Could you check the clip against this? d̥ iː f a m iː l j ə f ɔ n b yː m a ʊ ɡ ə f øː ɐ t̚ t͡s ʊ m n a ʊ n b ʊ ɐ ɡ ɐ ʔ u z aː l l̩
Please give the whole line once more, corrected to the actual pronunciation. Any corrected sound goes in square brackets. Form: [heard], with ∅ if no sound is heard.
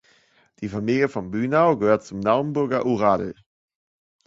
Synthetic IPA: d̥ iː f a m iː l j ə f ɔ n b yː [n] a ʊ ɡ ə [h] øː ɐ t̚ t͡s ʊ m n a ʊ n b ʊ ɐ ɡ ɐ ʔ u [ʁ] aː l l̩